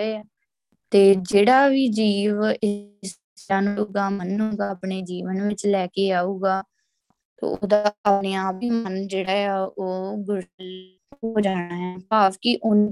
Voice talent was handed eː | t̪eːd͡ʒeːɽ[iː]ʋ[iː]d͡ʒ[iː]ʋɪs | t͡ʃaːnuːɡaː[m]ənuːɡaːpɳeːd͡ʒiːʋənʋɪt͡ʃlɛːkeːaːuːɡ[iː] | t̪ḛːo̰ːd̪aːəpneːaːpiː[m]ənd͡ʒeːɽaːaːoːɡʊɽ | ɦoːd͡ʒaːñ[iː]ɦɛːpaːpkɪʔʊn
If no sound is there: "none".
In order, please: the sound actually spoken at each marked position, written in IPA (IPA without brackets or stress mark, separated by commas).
aː, iː, iː, m, aː, m, aː